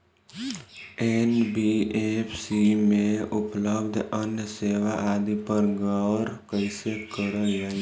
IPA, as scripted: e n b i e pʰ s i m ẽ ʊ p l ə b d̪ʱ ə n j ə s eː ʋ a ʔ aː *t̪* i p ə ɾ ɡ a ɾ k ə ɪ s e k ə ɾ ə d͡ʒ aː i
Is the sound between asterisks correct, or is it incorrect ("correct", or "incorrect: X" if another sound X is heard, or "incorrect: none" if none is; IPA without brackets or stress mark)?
incorrect: d̪